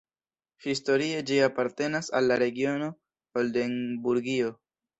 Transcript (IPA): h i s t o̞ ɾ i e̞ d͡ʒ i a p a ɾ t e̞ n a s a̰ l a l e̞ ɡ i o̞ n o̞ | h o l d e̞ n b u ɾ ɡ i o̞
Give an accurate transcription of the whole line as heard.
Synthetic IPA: h i s t o̞ ɾ i e̞ d͡ʒ i a p a ɾ t e̞ n a s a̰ lː a ɾ e̞ ɡ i o̞ n o̞ | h o l d e̞ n b u ɾ ɡ i o̞